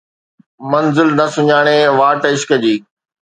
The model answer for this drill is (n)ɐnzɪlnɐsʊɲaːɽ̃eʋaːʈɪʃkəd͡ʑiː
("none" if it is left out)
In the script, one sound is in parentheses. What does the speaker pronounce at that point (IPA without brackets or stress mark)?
m